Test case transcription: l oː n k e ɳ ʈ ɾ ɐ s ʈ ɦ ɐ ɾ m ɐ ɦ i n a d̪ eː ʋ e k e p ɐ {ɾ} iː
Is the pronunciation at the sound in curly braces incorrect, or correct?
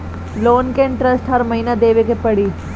incorrect